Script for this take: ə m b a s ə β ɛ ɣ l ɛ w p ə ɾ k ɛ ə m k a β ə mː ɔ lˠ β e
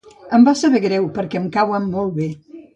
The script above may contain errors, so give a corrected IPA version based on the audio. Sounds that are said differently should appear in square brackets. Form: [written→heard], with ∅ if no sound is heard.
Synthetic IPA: ə m b a s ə β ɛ ɣ [l→ɾ] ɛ w p ə ɾ k ɛ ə m k a [β→w] ə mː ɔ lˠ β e